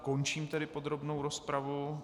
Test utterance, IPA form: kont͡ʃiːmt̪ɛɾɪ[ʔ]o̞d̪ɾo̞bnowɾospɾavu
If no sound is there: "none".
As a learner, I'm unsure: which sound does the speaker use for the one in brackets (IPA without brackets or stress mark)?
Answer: p